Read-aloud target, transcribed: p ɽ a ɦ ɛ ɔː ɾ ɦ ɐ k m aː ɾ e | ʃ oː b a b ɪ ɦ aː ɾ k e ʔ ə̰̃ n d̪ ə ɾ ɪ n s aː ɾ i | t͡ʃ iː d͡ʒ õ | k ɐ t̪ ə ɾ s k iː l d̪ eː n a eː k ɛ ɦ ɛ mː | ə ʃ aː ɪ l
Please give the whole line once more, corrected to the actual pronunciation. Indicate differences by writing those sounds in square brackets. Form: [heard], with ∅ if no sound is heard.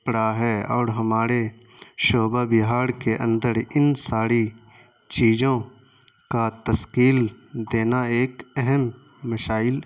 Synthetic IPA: p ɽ a ɦ ɛ ɔː ɾ ɦ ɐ [∅] m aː ɾ e | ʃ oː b a b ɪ ɦ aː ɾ k e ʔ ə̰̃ n d̪ ə ɾ ɪ n s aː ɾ i | t͡ʃ iː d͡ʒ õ | k [a] t̪ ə [∅] s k iː l d̪ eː n a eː k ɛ ɦ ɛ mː | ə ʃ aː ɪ l